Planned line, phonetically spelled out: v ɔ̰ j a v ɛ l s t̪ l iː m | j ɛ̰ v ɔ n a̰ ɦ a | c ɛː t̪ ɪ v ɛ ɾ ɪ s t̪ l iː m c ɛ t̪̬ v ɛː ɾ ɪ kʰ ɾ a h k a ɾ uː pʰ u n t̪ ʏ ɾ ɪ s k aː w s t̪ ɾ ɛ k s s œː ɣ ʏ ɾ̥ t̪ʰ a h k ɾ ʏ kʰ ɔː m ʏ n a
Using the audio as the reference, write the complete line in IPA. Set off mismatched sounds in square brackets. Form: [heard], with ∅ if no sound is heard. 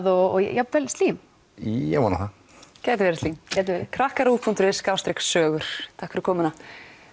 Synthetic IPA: [ð] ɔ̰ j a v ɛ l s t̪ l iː m | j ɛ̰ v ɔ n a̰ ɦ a | c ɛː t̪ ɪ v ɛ ɾ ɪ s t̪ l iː m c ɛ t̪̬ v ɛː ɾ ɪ kʰ ɾ a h k a ɾ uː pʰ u n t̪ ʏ ɾ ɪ s k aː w s t̪ ɾ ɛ k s s œː ɣ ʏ ɾ̥ t̪ʰ a h k ɾ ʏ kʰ ɔː m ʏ n a